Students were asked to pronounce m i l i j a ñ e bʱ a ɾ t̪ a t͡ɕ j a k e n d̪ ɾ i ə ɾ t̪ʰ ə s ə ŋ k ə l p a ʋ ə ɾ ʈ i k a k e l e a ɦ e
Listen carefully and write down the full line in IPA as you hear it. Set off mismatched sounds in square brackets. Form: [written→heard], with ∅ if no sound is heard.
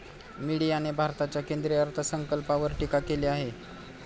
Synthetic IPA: m i [l→ɽ] i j a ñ e bʱ a ɾ t̪ a t͡ɕ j a k e n d̪ ɾ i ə ɾ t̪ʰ ə s ə ŋ k ə l p a ʋ ə ɾ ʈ i k a k e l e a ɦ e